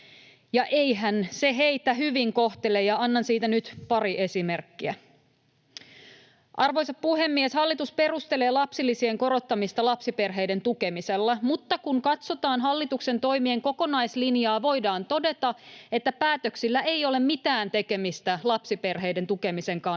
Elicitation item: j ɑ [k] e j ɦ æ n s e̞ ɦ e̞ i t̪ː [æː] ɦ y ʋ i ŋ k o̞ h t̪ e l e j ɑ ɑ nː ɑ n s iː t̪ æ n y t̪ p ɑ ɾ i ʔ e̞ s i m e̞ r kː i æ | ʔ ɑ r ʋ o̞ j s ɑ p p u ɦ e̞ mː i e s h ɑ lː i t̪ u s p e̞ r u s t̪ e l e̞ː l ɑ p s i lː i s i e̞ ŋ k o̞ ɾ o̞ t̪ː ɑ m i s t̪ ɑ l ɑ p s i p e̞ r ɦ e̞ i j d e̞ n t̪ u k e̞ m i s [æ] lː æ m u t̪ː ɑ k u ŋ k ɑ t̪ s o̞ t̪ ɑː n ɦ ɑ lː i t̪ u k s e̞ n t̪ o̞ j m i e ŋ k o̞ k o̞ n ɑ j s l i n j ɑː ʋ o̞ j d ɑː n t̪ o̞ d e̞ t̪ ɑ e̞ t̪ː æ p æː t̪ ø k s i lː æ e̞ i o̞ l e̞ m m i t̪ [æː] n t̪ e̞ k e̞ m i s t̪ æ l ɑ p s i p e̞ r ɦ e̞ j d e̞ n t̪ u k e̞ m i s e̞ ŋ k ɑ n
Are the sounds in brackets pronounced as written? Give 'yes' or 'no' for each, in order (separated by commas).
no, no, no, yes